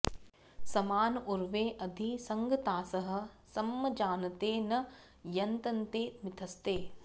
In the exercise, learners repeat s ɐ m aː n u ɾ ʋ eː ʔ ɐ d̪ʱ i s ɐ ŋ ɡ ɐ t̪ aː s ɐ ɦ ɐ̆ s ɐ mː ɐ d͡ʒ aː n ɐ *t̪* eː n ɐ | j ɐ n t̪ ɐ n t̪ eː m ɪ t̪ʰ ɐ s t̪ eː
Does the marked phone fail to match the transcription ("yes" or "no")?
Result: no